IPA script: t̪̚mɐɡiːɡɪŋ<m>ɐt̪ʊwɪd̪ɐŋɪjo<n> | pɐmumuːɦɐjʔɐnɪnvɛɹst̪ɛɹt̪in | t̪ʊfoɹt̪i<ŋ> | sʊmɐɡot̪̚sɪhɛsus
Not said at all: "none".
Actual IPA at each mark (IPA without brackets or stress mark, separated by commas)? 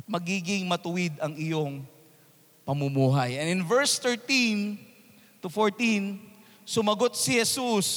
m, ŋ, n